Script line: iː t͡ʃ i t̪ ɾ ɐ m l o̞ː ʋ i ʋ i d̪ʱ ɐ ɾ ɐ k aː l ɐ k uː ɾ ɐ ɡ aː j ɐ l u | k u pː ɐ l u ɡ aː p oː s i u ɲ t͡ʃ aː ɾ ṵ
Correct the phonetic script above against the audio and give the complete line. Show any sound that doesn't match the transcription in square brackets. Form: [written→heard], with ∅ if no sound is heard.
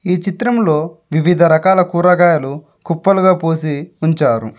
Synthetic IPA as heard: iː t͡ʃ i t̪ ɾ ɐ m l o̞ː ʋ i ʋ i d̪ʱ ɐ ɾ ɐ k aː l ɐ k uː ɾ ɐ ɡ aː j ɐ l u | k u pː ɐ l u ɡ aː p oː s i u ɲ t͡ʃ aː ɾ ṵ